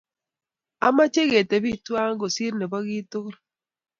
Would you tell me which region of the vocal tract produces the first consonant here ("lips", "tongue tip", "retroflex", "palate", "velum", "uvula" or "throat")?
lips